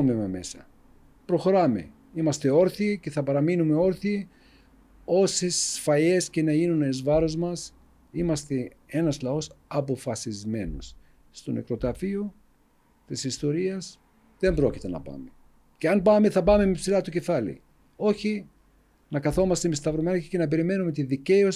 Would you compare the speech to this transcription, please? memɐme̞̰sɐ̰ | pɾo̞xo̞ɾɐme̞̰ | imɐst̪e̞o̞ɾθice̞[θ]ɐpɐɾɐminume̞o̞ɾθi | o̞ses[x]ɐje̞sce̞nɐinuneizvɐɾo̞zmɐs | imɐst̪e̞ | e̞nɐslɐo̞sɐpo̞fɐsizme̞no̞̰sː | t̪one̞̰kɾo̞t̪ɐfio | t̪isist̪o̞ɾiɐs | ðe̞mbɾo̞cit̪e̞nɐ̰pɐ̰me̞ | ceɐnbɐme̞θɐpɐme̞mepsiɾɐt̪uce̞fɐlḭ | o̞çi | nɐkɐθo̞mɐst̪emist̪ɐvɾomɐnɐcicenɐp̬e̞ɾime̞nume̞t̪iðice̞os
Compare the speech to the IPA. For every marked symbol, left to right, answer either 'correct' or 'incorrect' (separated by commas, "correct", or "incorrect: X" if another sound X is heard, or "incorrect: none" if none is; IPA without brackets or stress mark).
correct, incorrect: f